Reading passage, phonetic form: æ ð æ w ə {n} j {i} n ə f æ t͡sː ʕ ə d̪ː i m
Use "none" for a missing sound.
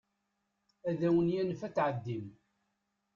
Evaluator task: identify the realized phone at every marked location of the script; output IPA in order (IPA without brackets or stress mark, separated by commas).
n, æ